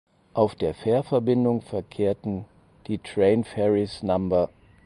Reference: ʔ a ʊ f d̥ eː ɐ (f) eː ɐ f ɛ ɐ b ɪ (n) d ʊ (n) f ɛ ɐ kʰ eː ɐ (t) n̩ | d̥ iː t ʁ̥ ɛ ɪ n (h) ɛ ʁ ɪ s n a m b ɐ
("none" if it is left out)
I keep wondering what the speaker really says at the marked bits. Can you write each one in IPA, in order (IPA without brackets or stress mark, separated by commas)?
f, n, ŋ, t, f